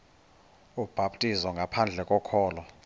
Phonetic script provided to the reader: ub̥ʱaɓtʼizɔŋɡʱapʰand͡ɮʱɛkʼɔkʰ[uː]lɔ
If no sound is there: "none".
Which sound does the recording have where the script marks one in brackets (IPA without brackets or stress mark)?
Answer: ɔː